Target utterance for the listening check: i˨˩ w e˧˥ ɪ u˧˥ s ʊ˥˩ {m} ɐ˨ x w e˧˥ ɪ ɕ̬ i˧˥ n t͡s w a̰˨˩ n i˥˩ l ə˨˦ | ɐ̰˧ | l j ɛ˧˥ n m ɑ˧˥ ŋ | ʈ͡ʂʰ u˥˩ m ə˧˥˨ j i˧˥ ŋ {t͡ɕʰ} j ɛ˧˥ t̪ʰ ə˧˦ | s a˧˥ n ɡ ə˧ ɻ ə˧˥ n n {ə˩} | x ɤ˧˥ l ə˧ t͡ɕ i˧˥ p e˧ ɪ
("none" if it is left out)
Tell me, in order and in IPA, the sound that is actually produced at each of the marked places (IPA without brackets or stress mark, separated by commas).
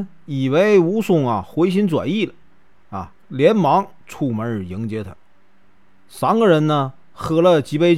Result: ŋ, t͡ɕ, ə˧